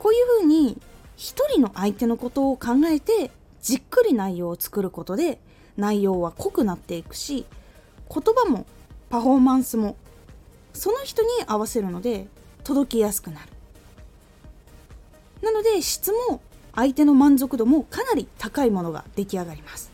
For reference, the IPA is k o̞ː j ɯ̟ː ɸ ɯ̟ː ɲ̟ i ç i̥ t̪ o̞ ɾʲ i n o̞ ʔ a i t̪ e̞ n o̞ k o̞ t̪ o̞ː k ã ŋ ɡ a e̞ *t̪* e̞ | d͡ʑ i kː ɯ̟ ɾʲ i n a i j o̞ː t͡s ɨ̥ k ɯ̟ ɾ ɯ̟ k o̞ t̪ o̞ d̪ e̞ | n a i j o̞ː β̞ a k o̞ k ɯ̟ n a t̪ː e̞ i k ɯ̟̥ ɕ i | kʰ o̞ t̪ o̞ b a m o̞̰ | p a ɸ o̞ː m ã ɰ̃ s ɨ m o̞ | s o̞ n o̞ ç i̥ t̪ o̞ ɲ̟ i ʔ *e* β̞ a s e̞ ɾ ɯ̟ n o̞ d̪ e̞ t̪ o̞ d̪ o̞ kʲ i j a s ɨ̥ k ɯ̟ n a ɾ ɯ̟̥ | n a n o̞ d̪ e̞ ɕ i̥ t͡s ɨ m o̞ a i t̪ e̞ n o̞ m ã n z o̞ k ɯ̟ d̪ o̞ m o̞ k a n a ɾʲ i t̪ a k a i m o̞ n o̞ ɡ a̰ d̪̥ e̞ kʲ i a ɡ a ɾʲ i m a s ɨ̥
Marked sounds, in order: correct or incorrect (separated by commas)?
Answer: correct, incorrect